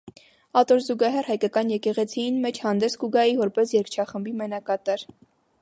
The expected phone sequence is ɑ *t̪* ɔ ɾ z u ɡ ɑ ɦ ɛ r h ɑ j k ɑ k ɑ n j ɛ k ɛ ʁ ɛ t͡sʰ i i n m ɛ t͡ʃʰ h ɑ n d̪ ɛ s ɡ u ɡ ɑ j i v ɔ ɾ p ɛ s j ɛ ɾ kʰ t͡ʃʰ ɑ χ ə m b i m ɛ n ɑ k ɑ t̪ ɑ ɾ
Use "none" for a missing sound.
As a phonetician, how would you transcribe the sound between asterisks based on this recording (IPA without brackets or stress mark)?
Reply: t̪